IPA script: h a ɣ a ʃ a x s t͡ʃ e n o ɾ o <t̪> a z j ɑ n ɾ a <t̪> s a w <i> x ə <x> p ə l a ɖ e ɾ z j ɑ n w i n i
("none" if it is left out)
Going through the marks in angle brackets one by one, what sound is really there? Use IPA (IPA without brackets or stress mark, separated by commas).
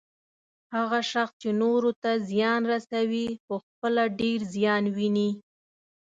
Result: t̪, none, i, x